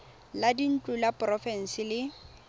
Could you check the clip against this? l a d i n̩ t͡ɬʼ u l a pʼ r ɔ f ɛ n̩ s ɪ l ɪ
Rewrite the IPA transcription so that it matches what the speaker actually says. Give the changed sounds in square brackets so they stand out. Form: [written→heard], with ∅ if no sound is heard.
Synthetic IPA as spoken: l a d i n̩ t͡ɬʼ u l a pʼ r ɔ f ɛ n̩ s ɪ l ɪ